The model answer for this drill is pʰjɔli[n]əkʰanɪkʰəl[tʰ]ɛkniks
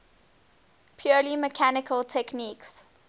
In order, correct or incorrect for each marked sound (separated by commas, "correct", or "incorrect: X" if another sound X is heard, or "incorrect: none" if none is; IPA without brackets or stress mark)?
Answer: incorrect: m, correct